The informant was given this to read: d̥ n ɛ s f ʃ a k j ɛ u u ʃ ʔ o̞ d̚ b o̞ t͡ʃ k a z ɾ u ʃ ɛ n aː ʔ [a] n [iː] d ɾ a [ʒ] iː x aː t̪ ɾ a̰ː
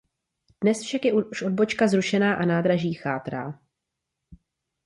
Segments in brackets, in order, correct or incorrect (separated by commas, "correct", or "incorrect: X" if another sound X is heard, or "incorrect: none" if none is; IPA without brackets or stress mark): correct, incorrect: aː, correct